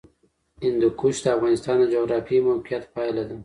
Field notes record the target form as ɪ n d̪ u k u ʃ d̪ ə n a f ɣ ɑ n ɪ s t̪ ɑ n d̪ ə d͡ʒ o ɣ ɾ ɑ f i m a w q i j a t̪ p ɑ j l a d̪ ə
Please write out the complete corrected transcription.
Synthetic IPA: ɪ n d̪ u k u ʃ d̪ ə a f ɣ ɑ n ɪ s t̪ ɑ n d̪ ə d͡ʒ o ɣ ɾ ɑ f i m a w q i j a t̪ p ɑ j l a d̪ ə

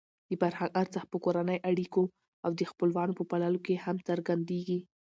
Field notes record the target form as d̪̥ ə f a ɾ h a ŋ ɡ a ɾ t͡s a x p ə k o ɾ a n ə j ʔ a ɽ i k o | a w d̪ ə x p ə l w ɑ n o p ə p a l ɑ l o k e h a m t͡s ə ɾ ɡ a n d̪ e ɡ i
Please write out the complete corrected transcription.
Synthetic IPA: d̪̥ ə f a ɾ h a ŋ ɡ a ɾ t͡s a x p ə k o ɾ a n ə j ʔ a ɽ i k o | a w d̪ ə x p ə l w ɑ n o p ə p a l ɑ l o k e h a m t͡s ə ɾ ɡ a n d̪ e ɡ i

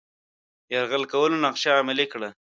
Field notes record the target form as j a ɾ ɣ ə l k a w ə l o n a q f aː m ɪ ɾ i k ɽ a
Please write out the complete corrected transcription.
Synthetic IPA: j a ɾ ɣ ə l k a w ə l o n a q ʃ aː m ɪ l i k ɽ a

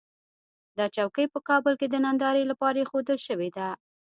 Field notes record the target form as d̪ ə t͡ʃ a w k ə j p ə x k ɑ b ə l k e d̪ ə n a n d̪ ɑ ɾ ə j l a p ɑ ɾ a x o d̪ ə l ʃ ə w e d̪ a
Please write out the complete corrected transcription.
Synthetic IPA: d̪ ɑ t͡ʃ a w k ə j p ə k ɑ b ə l k e d̪ ə n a n d̪ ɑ ɾ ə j l a p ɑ ɾ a x o d̪ ə l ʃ ə w e d̪ a

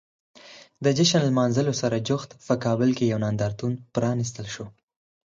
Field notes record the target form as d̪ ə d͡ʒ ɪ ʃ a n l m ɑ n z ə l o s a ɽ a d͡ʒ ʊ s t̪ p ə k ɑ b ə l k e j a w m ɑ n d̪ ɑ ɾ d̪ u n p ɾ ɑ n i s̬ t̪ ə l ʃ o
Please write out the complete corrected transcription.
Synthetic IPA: d̪ ə d͡ʒ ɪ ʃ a n l m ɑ n z ə l o s a ɾ a d͡ʒ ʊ x t̪ p ə k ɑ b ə l k e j a w n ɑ n d̪ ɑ ɾ t̪ u n p ɾ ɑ n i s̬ t̪ ə l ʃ o

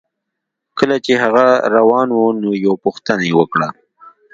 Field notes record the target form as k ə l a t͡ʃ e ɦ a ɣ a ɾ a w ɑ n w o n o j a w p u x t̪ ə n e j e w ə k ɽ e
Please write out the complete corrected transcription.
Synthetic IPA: k ə l a t͡ʃ e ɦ a ɣ a ɾ a w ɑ n w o n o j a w p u x t̪ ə n a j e w ə k ɽ a

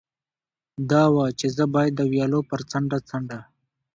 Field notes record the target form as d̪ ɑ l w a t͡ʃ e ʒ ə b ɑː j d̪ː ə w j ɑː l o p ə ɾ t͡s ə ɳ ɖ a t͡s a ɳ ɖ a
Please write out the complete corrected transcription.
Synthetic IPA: d̪ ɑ w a t͡ʃ e z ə b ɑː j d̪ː ə w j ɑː l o p ə ɾ t͡s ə ɳ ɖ a t͡s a ɳ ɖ a

